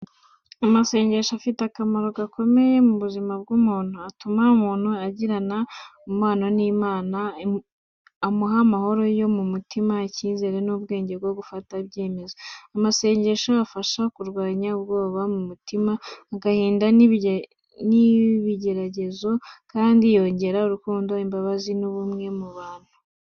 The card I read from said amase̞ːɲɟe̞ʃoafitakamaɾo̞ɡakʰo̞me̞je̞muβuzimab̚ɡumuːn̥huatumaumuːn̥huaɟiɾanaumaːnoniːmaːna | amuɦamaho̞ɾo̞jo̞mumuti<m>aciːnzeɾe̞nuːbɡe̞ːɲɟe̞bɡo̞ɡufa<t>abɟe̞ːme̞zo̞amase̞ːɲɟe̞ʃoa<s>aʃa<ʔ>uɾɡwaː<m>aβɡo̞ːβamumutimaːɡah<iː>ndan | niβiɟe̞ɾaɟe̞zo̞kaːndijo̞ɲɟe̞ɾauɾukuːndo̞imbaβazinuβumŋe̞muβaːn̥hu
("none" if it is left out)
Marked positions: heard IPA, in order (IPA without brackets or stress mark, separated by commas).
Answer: m, t, f, k, ɲ, iː